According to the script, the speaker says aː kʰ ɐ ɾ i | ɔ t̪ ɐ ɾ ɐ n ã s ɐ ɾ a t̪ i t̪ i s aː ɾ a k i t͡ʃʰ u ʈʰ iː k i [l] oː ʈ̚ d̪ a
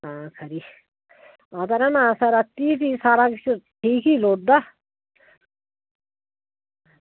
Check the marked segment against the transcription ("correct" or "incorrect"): correct